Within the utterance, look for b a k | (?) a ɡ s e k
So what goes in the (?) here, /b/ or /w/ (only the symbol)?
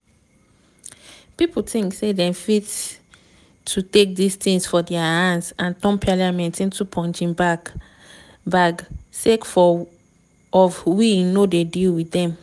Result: b